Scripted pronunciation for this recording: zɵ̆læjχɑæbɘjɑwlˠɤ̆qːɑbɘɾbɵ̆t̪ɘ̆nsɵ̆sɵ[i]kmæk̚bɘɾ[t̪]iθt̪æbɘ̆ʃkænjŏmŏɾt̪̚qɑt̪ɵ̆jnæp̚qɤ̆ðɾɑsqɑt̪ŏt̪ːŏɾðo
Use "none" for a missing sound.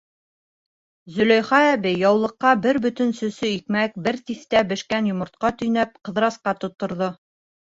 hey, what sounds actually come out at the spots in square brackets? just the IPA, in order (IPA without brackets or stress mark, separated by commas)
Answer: i, t̪